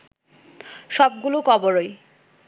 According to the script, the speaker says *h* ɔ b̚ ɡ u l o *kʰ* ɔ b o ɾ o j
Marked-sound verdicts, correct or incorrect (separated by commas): incorrect, incorrect